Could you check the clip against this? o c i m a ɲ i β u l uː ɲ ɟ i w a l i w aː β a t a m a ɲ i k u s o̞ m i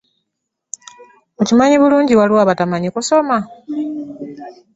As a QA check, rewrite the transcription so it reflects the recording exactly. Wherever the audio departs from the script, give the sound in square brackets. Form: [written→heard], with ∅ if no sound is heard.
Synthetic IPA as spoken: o c i m a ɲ i β u l uː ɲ ɟ i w a l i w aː β a t a m a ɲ i k u s o̞ m [i→a]

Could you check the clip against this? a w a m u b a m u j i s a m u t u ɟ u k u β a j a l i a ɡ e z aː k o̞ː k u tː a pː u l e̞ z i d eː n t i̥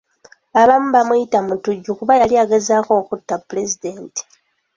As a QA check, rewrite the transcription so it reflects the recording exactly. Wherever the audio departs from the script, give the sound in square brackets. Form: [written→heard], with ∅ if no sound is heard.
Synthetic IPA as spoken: a [w→β] a m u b a m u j i [s→t] a m u t u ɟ u k u β a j a l i a ɡ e z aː k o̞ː k u tː a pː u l e̞ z i d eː n t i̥

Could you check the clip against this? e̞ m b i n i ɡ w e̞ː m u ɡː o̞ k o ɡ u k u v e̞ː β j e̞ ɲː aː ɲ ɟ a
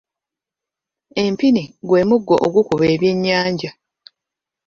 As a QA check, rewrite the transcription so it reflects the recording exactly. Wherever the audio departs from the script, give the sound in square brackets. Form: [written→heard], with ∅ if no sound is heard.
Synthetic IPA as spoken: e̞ m [b→p] i n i ɡ w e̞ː m u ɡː o̞ [k→ʔ] o ɡ u k u [v→β] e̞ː β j e̞ ɲː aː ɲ ɟ a

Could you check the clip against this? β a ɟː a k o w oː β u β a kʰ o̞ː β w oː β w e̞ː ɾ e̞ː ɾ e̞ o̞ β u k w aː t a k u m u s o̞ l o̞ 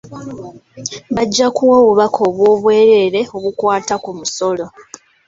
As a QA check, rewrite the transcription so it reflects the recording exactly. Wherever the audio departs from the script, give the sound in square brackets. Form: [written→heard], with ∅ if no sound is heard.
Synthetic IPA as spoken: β a ɟː a k [o→u] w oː β u β a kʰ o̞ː β w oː β w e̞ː ɾ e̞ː ɾ e̞ o̞ β u k w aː t a k u m u s o̞ l o̞

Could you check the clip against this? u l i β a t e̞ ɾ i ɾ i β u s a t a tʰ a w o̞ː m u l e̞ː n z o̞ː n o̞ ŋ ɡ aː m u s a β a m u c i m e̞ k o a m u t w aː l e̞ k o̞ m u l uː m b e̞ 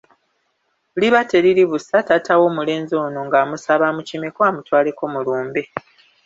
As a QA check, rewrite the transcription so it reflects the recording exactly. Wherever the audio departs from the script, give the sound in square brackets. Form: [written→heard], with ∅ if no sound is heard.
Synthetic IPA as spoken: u l i β a t e̞ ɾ i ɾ i β u s a t a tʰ a w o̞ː m u l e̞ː n z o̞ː n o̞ ŋ ɡ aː m u s a β a m u c i m e̞ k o a m u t w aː l e̞ k o̞ m u l uː m b e̞

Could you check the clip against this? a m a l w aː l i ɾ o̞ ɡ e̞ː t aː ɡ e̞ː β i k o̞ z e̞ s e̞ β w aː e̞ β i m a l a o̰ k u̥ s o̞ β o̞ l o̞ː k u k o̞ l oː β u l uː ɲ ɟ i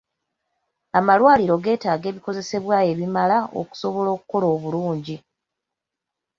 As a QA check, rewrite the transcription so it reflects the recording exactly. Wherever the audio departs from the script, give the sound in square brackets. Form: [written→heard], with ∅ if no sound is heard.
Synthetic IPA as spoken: a m a l w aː l i ɾ o̞ ɡ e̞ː t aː ɡ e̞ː β i k o̞ z e̞ s e̞ β w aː e̞ β i m a l a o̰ k u̥ s o̞ β o̞ l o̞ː k u k o̞ l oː β u l uː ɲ ɟ i

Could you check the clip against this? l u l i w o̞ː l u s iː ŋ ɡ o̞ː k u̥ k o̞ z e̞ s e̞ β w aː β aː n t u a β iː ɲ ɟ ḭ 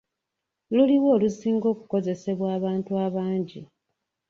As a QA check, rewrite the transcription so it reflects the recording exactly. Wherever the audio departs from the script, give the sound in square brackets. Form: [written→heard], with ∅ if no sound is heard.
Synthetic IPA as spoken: l u l i w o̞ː l u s iː ŋ ɡ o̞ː k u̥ k o̞ z e̞ s e̞ β w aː β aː n t u a β [iː→aː] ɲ ɟ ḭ

